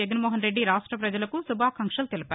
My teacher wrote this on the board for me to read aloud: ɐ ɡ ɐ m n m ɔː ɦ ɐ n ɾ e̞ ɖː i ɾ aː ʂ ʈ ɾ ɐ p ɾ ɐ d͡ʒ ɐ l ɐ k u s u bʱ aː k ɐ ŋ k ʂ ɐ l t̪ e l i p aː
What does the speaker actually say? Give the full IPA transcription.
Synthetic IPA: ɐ ɡ ɐ n m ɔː ɦ ɐ n ɾ e̞ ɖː i ɾ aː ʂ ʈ ɾ ɐ p ɾ ɐ d͡ʒ ɐ l ɐ k u s u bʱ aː k ɐ ŋ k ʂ ɐ l t̪ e l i p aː